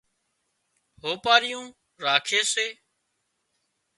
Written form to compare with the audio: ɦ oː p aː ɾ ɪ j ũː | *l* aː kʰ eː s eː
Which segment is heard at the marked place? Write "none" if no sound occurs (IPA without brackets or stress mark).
ɾ